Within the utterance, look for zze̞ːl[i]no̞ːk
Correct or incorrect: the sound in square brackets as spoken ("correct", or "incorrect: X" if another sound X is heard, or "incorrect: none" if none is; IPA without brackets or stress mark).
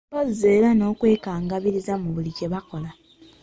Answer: incorrect: a